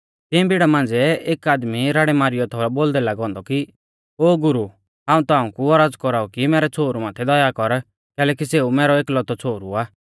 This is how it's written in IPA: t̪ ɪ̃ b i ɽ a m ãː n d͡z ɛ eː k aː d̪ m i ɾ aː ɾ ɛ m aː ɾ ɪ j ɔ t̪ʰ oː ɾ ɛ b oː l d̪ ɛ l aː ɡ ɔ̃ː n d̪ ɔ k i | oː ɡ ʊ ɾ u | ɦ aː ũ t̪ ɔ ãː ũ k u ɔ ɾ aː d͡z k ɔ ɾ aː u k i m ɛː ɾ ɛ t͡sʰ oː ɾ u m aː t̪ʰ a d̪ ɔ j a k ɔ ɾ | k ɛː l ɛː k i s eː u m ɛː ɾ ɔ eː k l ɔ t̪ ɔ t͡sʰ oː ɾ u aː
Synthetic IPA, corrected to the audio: t̪ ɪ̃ b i ɽ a m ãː n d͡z ɛ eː k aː d̪ m i ɾ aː ɽ ɛ m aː ɾ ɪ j ɔ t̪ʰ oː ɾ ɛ b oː l d̪ ɛ l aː ɡ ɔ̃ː n d̪ ɔ k i | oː ɡ ʊ ɾ u | ɦ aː ũ t̪ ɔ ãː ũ k u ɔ ɾ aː d͡z k ɔ ɾ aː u k i m ɛː ɾ ɛ t͡sʰ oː ɾ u m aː t̪ʰ ɛ d̪ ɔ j a k ɔ ɾ | k ɛː l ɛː k i s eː u m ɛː ɾ ɔ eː k l ɔ t̪ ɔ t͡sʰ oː ɾ u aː